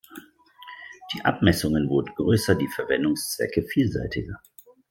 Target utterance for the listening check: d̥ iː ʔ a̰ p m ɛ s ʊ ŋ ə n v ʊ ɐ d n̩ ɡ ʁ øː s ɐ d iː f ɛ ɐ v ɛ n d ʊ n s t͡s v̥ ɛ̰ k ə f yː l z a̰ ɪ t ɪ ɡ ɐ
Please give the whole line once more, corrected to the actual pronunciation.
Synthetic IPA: d̥ iː ʔ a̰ p m ɛ s ʊ ŋ ə n v ʊ ɐ d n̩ ɡ ʁ øː s ɐ d iː f ɛ ɐ v ɛ n d ʊ ŋ s t͡s v̥ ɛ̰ k ə f iː l z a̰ ɪ t ɪ ɡ ɐ